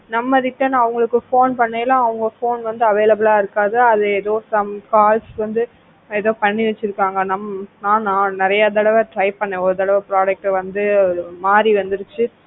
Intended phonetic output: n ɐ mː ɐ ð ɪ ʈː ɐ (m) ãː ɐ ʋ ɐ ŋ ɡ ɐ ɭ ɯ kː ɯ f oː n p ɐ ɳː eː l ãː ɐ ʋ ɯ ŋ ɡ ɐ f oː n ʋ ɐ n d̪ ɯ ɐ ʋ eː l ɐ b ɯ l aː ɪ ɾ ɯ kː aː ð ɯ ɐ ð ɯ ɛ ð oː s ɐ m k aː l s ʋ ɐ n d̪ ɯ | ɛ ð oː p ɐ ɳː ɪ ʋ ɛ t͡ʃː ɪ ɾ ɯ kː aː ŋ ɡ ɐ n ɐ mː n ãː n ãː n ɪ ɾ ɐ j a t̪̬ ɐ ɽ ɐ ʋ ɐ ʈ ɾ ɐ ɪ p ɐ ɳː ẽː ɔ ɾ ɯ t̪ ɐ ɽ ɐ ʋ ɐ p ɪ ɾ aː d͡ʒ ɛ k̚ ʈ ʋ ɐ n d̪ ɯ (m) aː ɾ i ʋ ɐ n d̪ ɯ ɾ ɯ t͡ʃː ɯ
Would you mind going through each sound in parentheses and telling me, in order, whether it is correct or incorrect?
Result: incorrect: n, correct

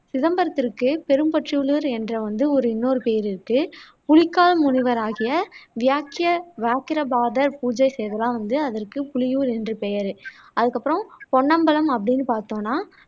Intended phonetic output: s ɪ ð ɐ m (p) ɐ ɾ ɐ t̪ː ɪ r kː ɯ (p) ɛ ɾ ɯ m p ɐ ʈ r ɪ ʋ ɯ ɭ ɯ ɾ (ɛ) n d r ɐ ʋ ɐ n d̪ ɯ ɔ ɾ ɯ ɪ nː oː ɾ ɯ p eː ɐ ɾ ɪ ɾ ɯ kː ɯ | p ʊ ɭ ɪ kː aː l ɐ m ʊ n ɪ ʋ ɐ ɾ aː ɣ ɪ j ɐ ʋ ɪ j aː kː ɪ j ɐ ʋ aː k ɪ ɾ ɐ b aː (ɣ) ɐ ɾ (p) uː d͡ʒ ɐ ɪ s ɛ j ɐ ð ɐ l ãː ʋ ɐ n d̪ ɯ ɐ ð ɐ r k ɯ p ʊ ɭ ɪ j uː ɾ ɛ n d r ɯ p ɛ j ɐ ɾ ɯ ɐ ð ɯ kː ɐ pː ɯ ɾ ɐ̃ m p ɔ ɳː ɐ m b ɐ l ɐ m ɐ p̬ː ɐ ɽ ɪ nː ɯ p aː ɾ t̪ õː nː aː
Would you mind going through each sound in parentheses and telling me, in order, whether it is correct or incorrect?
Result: incorrect: b, correct, correct, incorrect: ð, correct

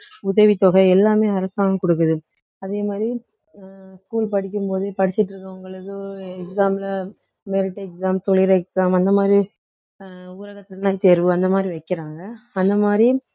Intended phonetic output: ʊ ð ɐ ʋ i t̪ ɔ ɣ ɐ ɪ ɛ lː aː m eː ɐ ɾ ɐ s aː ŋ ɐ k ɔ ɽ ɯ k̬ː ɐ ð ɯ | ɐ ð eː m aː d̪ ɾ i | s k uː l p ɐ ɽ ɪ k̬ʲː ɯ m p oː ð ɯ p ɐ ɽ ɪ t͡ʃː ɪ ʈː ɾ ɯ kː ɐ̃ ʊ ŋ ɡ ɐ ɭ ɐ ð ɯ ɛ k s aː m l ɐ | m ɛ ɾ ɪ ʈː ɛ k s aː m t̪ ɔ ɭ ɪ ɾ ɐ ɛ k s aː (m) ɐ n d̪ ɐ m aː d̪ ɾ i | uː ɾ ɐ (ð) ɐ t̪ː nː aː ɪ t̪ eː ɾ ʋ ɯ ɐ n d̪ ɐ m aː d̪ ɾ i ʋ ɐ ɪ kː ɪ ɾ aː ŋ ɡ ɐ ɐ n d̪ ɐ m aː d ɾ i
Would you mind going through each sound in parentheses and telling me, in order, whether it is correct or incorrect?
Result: correct, incorrect: ɣ

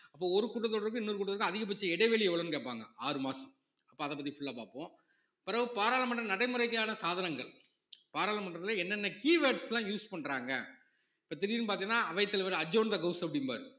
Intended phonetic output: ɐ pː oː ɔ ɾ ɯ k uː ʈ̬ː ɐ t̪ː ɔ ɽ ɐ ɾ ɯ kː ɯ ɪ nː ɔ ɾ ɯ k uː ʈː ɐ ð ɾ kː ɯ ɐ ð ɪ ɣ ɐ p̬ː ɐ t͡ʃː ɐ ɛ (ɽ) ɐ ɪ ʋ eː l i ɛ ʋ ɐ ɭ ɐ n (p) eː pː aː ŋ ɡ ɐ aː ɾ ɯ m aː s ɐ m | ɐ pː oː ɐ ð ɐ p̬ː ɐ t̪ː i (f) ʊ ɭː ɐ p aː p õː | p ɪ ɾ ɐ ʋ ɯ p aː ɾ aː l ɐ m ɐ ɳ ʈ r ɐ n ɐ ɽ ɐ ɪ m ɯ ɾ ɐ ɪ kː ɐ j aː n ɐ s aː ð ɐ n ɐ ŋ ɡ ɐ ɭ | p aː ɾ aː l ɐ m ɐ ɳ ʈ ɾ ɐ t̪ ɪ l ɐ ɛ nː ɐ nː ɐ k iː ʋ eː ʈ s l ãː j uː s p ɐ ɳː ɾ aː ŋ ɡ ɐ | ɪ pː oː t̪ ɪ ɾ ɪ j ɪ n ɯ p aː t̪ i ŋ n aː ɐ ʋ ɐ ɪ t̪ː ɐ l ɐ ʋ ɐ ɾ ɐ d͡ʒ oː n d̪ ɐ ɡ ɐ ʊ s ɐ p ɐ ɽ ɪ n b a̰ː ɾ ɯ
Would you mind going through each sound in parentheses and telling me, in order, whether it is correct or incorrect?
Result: correct, incorrect: k, correct

